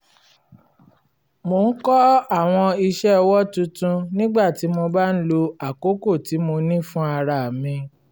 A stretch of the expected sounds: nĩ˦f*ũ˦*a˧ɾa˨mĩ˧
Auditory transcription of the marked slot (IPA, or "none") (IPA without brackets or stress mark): ũ˦